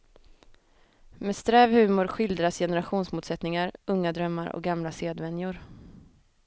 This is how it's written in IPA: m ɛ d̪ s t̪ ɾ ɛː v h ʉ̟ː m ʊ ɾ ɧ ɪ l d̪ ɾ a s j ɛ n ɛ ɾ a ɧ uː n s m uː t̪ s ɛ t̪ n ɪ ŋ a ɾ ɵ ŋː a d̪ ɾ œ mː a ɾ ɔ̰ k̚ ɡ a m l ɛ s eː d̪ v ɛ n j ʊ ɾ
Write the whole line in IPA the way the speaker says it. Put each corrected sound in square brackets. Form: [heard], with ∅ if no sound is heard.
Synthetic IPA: m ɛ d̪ s t̪ ɾ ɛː v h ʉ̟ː m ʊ ɾ ɧ ɪ l d̪ ɾ a s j ɛ n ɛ ɾ a ɧ uː n s m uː t̪ s ɛ t̪ n ɪ ŋ a ɾ ɵ ŋː a d̪ ɾ œ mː a ɾ ɔ̰ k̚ ɡ a m l [a] s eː d̪ v ɛ n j ʊ ɾ